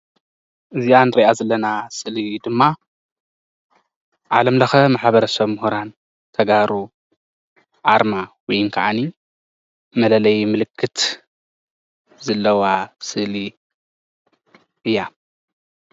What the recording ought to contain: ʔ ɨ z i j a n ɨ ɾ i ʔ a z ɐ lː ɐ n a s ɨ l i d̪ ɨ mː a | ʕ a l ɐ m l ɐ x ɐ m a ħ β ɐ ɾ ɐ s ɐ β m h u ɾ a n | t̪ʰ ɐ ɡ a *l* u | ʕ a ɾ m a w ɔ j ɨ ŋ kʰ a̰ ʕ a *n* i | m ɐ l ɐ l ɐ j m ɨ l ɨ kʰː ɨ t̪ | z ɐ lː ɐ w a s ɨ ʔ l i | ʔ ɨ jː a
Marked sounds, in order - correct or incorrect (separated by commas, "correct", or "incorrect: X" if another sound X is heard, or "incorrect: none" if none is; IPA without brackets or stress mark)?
incorrect: ɾ, correct